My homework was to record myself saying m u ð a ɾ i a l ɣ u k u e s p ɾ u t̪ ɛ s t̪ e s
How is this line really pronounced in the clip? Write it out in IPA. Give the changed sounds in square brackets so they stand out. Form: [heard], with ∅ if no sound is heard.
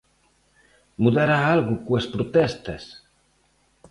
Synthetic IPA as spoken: m u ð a ɾ [a] a l ɣ u k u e s p ɾ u t̪ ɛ s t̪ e s